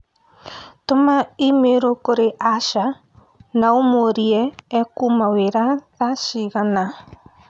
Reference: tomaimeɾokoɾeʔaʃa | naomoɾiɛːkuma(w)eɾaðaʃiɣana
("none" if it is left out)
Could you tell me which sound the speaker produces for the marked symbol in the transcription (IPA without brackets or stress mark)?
w